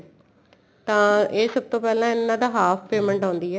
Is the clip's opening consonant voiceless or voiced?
voiceless